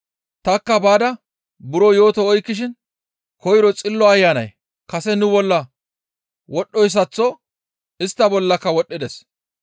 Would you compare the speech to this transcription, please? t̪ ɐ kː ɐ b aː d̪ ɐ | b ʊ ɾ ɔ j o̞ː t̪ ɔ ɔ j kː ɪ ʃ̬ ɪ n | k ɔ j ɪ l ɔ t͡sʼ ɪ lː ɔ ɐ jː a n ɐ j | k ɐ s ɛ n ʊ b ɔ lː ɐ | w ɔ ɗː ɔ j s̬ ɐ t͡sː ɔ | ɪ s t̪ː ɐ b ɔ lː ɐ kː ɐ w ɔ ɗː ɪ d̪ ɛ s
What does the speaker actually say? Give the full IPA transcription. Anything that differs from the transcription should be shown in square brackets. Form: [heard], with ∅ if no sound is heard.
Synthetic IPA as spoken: t̪ ɐ kː ɐ b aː d̪ ɐ | b ʊ ɾ ɔ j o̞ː t̪ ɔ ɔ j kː ɪ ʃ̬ ɪ n | k ɔ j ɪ [ɾ] ɔ t͡sʼ ɪ lː ɔ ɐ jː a n ɐ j | k ɐ s ɛ n ʊ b ɔ lː ɐ | w ɔ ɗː ɔ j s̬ ɐ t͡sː ɔ | ɪ s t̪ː ɐ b ɔ lː ɐ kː ɐ w ɔ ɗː ɪ d̪ ɛ s